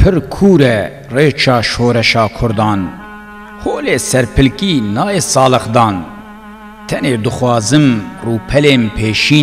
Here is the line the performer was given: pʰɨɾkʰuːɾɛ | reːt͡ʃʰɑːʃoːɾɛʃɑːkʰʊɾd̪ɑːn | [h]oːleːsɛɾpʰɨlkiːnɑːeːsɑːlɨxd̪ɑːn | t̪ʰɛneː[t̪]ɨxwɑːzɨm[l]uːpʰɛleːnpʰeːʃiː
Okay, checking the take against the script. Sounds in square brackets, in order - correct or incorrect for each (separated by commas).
correct, incorrect, incorrect